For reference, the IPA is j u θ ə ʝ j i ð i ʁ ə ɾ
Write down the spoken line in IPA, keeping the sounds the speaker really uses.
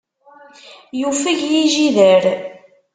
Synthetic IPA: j u f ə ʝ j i ʒ i ð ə ɾ